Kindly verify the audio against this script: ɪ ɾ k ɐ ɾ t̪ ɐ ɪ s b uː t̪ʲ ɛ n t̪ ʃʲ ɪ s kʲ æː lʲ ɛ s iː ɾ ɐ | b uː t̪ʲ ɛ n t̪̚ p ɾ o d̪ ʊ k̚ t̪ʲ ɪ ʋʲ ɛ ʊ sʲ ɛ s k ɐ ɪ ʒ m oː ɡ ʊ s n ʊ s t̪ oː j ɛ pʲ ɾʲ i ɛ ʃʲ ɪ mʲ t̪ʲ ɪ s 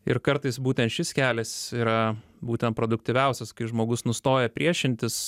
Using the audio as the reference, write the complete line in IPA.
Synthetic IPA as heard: ɪ ɾ k ɐ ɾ t̪ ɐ ɪ s b uː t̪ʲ ɛ n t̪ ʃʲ ɪ s kʲ æː lʲ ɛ s iː ɾ ɐ | b uː t̪ʲ ɛ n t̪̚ p ɾ o d̪ ʊ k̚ t̪ʲ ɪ ʋʲ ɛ ʊ sʲ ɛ s k ɐ ɪ ʒ m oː ɡ ʊ s n ʊ s t̪ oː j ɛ pʲ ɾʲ i ɛ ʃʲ ɪ nʲ t̪ʲ ɪ s

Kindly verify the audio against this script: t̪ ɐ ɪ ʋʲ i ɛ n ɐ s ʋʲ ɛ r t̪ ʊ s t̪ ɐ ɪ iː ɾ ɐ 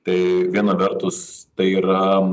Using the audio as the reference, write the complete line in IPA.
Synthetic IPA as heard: t̪ ɐ ɪ ʋʲ i ɛ n ɐ ʋʲ ɛ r t̪ ʊ s t̪ ɐ ɪ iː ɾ ɐ

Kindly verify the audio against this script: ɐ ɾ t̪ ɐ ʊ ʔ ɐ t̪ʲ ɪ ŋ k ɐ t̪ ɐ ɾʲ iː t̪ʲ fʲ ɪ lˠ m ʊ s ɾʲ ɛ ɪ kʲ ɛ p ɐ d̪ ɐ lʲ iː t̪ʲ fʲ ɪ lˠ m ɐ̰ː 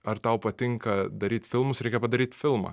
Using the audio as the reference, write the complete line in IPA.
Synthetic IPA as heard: ɐ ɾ t̪ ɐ ʊ p ɐ t̪ʲ ɪ ŋ k ɐ d̪ ɐ ɾʲ iː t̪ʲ fʲ ɪ lˠ m ʊ s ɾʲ ɛ ɪ kʲ ɛ p ɐ d̪ ɐ ɾʲ iː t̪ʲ fʲ ɪ lˠ m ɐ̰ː

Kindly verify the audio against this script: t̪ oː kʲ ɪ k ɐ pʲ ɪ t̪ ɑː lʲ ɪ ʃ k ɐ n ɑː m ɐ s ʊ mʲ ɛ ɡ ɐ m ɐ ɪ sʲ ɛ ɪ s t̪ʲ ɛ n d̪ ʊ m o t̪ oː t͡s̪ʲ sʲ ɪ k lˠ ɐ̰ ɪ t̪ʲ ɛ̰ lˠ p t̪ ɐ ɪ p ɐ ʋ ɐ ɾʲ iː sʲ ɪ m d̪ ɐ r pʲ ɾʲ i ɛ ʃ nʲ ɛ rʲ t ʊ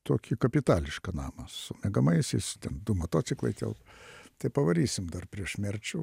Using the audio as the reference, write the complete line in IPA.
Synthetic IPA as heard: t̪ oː kʲ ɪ k ɐ pʲ ɪ t̪ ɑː lʲ ɪ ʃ k ɐ n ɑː m ɐ s ʊ mʲ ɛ ɡ ɐ m ɐ ɪ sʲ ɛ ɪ s t̪ʲ ɛ n d̪ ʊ m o t̪ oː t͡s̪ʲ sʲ ɪ k lˠ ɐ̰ ɪ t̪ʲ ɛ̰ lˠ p t̪ ɐ ɪ p ɐ ʋ ɐ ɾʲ iː sʲ ɪ m d̪ ɐ r pʲ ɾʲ i ɛ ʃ mʲ ɛ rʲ t͡ʃʲ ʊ

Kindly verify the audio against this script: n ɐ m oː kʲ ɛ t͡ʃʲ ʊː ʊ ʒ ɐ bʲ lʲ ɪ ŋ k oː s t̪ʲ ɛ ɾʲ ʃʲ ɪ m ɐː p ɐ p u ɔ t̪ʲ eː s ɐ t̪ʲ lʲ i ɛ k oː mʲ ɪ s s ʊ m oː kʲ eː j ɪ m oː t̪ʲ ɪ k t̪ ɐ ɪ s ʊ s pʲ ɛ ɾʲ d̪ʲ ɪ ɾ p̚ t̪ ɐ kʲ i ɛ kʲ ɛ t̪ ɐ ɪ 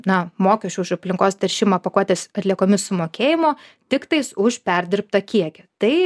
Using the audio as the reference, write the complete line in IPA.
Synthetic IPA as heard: n ɐ m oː kʲ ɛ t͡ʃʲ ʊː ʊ ʃ ɐ pʲ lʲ ɪ ŋ k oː s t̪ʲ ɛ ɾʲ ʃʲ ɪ m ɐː p ɐ k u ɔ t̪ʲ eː s ɐ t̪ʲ lʲ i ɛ k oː mʲ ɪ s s ʊ m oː kʲ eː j ɪ m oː t̪ʲ ɪ k t̪ ɐ ɪ s ʊ ʃ pʲ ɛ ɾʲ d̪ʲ ɪ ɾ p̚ t̪ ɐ kʲ i ɛ kʲ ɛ t̪ ɐ ɪ

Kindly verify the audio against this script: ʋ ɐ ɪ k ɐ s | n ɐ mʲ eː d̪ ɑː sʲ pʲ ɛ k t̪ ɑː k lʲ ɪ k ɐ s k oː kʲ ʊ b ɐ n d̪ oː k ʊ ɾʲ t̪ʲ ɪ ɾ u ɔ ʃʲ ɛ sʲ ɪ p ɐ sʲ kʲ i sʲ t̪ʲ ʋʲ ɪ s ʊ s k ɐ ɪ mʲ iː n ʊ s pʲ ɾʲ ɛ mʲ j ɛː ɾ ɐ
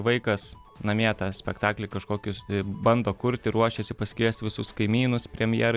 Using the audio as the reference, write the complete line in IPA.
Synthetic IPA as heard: ʋ ɐ ɪ k ɐ s | n ɐ mʲ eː t̪ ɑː sʲ pʲ ɛ k t̪ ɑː k lʲ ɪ k ɐ ʃ k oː kʲ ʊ b ɐ n d̪ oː k ʊ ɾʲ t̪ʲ ɪ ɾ u ɔ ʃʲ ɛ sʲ ɪ p ɐ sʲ kʲ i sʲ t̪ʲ ʋʲ ɪ s ʊ s k ɐ ɪ mʲ iː n ʊ s pʲ ɾʲ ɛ mʲ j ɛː ɾ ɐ

